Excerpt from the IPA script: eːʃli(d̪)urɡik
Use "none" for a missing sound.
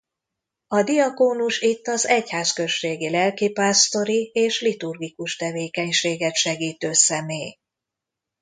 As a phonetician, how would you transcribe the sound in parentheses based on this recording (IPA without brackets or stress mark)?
t̪